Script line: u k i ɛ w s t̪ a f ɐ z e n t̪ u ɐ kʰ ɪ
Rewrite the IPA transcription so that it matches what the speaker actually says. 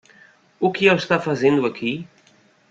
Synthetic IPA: u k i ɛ w s t̪ a f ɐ z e n d̪ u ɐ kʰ i